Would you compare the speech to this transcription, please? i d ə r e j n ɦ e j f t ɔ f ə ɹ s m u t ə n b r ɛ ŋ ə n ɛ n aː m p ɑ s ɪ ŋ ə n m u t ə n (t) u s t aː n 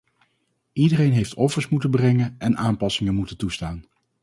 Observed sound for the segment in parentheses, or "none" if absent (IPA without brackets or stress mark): t